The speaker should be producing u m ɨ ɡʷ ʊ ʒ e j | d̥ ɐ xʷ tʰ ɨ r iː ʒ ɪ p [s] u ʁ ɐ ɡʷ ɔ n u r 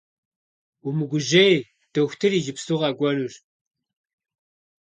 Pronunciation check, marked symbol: correct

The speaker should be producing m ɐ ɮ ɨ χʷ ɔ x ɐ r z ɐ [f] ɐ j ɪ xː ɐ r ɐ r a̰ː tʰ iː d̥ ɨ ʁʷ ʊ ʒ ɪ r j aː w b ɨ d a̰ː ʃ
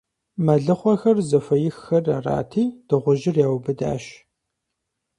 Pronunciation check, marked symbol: correct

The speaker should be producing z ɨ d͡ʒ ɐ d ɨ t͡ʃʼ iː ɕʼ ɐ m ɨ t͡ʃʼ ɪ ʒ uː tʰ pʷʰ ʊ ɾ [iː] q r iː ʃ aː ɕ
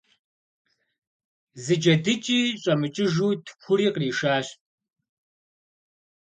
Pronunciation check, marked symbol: correct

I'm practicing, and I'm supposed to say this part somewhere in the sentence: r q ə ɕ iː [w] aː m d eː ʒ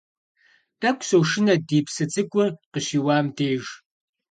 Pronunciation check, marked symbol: correct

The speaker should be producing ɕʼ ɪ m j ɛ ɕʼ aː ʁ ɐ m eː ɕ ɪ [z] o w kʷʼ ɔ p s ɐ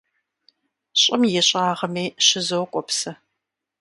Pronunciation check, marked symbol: correct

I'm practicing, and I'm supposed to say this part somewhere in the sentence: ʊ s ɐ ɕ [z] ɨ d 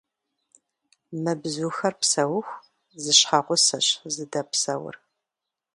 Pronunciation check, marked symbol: correct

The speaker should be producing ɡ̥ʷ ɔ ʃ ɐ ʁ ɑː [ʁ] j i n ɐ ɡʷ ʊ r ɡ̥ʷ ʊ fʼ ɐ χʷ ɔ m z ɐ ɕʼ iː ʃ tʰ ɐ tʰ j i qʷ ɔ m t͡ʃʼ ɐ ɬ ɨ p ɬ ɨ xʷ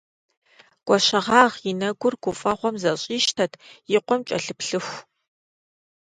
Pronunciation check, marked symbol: correct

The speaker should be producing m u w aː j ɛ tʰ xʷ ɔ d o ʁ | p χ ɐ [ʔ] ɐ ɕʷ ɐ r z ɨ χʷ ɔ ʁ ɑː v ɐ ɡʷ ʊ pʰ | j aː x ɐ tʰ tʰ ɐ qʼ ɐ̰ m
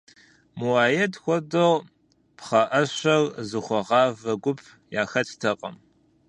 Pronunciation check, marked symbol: correct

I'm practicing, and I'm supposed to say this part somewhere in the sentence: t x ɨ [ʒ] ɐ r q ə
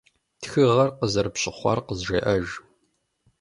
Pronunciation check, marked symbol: incorrect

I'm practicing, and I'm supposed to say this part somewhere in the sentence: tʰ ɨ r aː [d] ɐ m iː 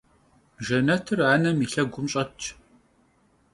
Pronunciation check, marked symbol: incorrect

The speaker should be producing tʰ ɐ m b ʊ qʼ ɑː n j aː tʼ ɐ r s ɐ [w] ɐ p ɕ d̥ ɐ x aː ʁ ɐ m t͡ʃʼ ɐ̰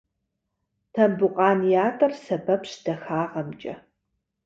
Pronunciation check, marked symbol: incorrect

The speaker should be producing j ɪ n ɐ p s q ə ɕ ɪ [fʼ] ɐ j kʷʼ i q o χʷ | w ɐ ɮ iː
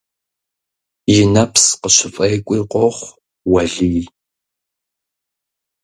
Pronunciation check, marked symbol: correct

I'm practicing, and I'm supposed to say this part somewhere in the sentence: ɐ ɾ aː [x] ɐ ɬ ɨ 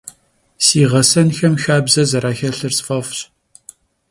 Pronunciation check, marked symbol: correct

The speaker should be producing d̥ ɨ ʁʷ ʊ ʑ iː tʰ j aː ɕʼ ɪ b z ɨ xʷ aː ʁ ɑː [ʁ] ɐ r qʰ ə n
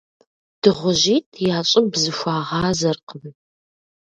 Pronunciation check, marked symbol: incorrect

